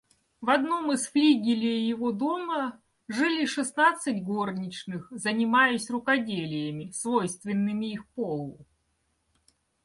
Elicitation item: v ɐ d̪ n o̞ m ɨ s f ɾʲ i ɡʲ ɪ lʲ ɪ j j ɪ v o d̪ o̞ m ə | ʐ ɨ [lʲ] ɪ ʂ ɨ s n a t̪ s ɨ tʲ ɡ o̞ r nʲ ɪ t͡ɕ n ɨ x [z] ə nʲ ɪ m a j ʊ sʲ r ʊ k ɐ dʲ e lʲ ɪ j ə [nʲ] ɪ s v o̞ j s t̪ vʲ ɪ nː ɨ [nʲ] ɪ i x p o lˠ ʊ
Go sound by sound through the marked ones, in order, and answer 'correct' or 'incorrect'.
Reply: correct, correct, incorrect: mʲ, incorrect: mʲ

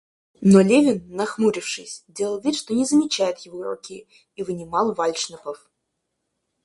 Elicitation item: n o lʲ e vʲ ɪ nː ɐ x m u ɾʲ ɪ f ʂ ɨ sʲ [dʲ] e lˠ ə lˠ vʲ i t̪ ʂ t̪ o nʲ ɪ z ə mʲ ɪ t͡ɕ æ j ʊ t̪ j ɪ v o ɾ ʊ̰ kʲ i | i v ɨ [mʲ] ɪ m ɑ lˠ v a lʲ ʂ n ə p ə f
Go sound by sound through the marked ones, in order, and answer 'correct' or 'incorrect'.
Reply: correct, incorrect: nʲ

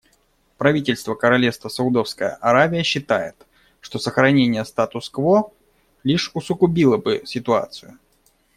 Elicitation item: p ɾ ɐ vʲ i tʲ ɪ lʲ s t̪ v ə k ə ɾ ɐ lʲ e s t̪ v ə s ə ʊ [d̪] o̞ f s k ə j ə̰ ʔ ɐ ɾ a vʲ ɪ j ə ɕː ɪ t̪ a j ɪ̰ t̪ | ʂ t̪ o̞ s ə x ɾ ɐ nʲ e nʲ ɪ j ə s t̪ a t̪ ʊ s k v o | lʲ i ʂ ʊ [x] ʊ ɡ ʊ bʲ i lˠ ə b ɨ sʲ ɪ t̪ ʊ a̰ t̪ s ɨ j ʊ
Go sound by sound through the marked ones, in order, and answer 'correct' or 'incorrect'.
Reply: correct, incorrect: s

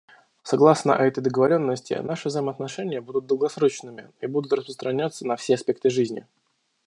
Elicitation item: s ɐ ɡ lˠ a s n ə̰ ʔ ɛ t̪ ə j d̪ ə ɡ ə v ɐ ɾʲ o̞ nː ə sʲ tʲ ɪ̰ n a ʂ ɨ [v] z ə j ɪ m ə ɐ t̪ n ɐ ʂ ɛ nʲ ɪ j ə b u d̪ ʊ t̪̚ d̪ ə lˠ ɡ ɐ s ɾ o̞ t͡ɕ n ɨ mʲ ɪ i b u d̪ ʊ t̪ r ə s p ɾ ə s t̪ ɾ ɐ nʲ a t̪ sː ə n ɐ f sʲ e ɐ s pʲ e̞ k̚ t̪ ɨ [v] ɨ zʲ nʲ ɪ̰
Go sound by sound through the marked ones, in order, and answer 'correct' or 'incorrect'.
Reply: correct, incorrect: ʐ

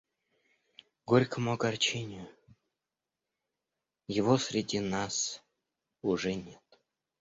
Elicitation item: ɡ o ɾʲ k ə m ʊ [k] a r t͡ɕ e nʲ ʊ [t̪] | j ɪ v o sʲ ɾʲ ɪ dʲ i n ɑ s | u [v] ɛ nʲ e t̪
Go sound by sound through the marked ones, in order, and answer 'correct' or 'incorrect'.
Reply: incorrect: ɡ, incorrect: none, incorrect: ʐ

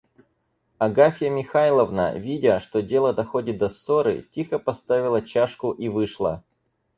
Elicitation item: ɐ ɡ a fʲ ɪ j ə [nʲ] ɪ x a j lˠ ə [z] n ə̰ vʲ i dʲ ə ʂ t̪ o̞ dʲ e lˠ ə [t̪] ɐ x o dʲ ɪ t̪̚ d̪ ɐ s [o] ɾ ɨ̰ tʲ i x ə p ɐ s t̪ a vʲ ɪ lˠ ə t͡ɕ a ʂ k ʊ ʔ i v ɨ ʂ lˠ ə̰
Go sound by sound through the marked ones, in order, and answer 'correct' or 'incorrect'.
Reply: incorrect: mʲ, incorrect: v, incorrect: d̪, correct

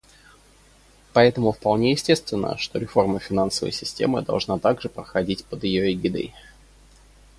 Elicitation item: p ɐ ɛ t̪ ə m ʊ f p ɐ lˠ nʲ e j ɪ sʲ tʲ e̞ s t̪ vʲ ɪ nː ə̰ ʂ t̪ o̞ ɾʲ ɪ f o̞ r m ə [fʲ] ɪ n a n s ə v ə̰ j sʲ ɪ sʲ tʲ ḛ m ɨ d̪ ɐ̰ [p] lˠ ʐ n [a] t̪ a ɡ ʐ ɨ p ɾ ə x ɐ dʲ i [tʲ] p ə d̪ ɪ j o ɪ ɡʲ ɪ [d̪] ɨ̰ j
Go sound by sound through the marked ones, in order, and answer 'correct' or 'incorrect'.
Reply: correct, incorrect: none, correct, correct, correct

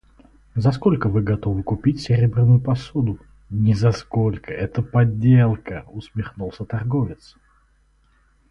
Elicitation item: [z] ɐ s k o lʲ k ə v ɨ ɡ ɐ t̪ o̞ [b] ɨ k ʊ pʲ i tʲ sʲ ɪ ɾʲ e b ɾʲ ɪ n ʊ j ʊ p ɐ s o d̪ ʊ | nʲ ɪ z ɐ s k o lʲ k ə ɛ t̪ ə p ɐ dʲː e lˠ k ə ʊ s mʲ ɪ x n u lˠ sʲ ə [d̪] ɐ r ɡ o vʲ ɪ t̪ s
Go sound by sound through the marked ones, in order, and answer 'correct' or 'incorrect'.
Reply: correct, incorrect: v, incorrect: t̪

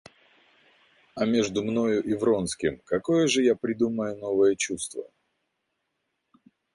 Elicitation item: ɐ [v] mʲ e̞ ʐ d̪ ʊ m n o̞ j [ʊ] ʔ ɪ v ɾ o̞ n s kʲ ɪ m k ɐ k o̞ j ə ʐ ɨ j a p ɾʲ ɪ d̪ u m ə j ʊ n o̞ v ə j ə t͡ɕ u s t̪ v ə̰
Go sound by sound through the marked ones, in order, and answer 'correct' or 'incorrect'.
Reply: incorrect: none, correct

